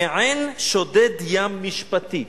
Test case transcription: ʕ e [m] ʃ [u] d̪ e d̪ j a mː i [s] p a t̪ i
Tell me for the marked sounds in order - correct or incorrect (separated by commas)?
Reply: incorrect, incorrect, incorrect